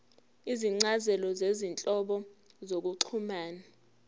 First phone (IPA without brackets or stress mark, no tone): i